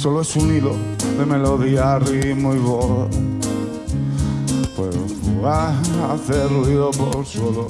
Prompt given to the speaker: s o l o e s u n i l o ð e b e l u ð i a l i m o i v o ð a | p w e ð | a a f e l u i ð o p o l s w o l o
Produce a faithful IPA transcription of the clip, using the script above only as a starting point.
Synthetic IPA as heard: s o l o e s u n i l o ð e m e l o ð i a r i m o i β o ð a | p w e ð | a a θ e r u i ð o p o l s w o l o